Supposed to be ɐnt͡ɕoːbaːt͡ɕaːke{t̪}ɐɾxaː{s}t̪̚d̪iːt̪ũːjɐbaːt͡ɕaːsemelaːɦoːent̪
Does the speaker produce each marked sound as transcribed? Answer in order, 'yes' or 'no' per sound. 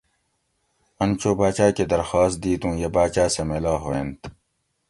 no, yes

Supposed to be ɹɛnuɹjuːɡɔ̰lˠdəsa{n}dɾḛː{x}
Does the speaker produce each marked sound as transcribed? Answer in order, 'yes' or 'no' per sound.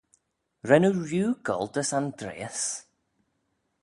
yes, no

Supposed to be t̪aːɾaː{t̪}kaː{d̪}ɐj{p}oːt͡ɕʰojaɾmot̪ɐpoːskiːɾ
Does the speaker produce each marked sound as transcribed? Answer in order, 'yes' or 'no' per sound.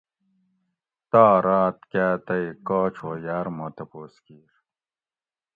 yes, no, no

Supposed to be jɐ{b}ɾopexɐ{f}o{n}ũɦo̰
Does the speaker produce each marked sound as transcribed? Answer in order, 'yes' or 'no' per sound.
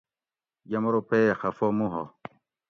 no, yes, no

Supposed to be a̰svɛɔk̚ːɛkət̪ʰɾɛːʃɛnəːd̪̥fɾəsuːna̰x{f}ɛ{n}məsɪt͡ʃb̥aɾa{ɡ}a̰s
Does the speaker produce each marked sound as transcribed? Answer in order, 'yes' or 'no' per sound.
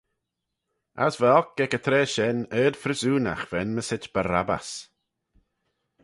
no, yes, no

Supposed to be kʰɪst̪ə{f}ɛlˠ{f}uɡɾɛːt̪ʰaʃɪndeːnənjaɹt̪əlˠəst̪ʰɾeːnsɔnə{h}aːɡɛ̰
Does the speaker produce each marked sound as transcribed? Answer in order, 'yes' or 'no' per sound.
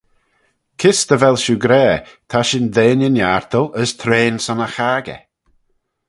no, no, no

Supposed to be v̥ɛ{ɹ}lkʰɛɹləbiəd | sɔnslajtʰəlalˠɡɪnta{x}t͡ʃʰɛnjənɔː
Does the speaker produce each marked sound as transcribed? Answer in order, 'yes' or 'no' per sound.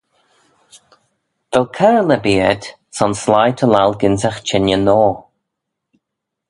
no, yes

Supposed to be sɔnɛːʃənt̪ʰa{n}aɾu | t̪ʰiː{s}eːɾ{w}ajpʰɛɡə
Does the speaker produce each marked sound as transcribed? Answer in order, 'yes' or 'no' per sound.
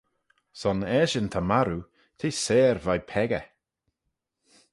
no, yes, no

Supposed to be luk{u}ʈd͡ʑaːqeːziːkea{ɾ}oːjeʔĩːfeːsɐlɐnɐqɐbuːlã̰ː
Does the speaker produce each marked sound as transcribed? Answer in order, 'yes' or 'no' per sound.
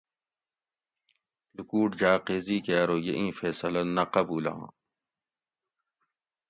no, yes

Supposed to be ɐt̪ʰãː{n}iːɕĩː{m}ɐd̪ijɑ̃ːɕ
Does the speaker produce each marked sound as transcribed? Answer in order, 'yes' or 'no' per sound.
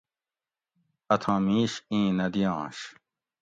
no, no

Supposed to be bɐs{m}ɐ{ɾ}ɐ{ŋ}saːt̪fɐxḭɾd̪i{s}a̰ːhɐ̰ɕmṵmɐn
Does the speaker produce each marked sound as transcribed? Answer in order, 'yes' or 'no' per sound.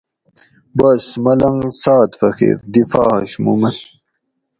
yes, no, yes, no

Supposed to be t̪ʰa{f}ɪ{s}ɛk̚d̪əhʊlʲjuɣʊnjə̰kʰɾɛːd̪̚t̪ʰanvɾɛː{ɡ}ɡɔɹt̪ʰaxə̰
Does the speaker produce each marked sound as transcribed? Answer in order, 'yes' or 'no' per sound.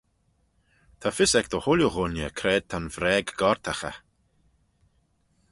yes, yes, yes

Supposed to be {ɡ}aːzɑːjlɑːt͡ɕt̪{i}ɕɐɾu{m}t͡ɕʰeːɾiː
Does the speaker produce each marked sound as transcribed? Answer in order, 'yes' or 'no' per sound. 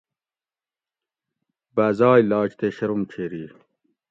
no, no, yes

